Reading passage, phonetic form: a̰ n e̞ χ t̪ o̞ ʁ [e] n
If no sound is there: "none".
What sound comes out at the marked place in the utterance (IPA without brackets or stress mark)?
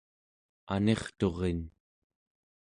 e